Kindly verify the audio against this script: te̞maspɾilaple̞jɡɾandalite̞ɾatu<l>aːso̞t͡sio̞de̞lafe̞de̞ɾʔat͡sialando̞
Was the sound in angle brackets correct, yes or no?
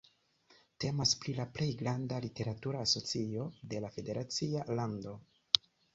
no